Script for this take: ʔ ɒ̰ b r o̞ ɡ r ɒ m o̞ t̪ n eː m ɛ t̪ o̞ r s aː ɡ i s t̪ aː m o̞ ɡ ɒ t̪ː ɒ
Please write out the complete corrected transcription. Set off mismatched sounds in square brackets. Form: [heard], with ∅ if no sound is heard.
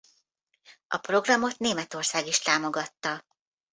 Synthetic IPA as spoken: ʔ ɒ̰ [p] r o̞ ɡ r ɒ m o̞ t̪ n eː m ɛ t̪ o̞ r s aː ɡ i [ʃ] t̪ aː m o̞ ɡ ɒ t̪ː ɒ